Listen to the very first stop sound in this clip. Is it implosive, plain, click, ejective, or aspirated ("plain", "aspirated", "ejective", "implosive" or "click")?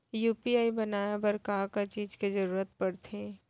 plain